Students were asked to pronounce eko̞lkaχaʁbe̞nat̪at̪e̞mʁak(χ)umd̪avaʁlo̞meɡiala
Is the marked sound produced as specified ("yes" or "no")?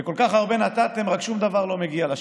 no